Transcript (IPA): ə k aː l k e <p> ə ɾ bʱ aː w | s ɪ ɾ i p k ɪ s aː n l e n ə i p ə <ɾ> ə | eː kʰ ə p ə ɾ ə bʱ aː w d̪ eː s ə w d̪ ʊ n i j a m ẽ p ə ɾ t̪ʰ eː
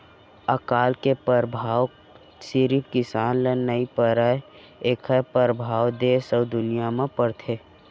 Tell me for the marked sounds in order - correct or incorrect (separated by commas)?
correct, correct